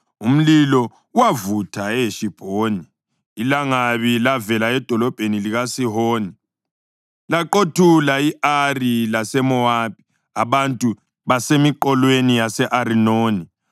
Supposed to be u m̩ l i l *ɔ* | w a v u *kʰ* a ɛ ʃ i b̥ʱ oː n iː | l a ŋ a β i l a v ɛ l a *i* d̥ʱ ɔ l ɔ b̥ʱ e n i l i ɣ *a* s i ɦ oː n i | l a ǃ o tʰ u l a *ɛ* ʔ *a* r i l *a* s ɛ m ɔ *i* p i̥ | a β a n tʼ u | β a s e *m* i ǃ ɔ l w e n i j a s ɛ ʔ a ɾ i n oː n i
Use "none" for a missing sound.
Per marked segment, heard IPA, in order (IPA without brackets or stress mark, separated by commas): ɔ, tʰ, ɛ, a, i, a, a, a, m